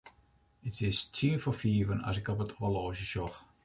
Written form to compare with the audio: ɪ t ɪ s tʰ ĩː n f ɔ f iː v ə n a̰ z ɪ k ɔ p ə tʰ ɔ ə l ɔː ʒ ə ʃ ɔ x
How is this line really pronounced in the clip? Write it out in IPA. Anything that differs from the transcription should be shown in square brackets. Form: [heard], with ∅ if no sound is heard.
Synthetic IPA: ɪ t ɪ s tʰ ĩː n f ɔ f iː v ə n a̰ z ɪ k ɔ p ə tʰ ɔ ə l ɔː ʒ ə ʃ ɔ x